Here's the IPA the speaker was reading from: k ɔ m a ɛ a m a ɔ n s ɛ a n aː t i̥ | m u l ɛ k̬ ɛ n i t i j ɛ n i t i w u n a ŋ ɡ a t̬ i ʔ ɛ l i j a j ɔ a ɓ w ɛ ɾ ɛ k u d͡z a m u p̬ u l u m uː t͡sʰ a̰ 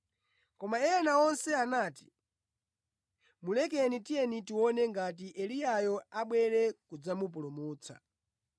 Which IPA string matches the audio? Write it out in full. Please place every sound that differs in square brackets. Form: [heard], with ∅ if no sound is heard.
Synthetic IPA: k ɔ m a ɛ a [n] a ɔ n s ɛ a n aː t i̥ | m u l ɛ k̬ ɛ n i t i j ɛ n i t i w [ɔ] n [ɛ] ŋ ɡ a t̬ i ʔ ɛ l i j a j ɔ a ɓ w ɛ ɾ ɛ k u d͡z a m u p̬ u l u m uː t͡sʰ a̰